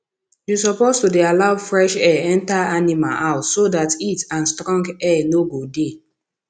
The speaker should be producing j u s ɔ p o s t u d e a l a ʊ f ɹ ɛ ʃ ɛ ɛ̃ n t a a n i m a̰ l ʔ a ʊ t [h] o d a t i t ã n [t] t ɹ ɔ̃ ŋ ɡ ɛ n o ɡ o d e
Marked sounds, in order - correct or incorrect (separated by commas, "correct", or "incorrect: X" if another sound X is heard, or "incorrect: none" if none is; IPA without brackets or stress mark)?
incorrect: s, incorrect: s